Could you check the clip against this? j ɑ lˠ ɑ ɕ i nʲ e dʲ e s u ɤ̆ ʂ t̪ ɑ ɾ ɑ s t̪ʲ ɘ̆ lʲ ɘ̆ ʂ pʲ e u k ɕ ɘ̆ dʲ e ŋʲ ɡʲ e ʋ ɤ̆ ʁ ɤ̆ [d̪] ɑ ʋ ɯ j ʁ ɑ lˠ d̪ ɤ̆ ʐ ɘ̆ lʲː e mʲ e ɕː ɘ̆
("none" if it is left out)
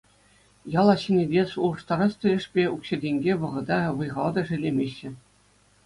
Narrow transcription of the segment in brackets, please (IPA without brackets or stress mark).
d̪